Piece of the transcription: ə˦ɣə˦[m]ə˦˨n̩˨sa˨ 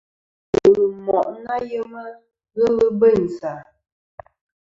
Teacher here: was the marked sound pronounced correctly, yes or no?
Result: no